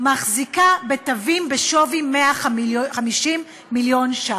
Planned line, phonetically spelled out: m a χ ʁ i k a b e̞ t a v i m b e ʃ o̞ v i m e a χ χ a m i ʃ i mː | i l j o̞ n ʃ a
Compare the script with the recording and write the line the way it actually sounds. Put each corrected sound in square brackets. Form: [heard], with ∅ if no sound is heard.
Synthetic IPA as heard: m a χ [z] i k a b e̞ t a v i m b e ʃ o̞ v i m e a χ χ a m i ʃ i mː | i l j o̞ n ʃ a